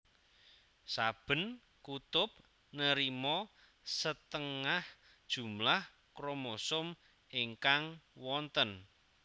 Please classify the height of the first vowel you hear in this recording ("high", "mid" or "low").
low